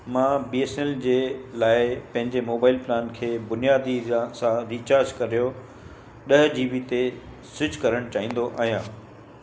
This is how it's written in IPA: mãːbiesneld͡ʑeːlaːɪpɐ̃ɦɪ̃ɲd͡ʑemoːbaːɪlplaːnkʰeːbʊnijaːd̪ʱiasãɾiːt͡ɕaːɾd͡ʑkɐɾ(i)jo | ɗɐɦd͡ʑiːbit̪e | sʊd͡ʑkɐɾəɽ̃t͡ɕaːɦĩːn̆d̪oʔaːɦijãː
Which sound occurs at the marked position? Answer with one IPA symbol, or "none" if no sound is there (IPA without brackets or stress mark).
i